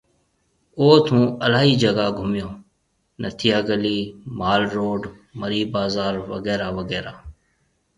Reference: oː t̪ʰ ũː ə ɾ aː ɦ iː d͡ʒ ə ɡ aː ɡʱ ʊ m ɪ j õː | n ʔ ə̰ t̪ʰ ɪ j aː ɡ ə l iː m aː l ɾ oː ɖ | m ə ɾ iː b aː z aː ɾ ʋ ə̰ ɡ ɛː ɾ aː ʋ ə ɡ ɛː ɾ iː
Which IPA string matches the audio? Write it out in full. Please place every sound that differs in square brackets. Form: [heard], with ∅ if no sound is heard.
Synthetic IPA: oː t̪ʰ ũː ə [l] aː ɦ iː d͡ʒ ə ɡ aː ɡʱ ʊ m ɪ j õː | n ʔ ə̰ t̪ʰ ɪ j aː ɡ ə l iː m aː l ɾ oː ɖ | m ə ɾ iː b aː z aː ɾ ʋ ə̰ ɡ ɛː ɾ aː ʋ ə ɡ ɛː ɾ [aː]